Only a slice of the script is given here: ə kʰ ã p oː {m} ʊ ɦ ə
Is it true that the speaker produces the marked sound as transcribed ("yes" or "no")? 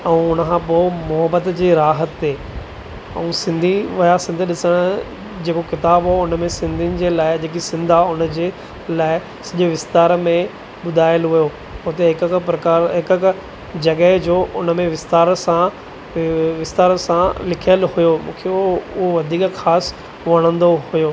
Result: yes